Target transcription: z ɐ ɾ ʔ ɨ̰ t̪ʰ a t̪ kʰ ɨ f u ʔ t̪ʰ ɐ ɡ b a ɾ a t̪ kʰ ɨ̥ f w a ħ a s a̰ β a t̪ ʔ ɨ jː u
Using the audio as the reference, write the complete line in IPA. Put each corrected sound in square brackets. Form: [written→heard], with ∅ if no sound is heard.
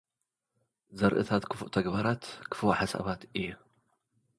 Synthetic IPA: z ɐ ɾ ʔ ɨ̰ t̪ʰ a t̪ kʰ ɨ f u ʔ t̪ʰ ɐ ɡ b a ɾ a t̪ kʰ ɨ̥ f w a ħ a s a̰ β a t̪ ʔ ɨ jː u